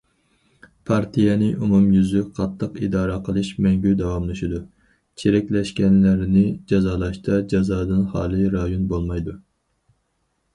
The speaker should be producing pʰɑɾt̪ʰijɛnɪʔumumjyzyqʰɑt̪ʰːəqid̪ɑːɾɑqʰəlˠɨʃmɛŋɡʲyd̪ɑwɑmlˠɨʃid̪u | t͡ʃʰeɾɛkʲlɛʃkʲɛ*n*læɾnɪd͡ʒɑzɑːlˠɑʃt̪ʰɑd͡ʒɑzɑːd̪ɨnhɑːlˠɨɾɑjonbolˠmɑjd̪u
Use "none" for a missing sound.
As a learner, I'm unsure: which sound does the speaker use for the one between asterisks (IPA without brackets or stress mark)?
n